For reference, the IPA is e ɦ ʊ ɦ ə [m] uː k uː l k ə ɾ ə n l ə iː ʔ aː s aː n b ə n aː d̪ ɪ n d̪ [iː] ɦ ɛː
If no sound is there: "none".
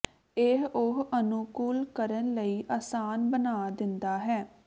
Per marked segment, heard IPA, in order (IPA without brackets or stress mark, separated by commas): n, aː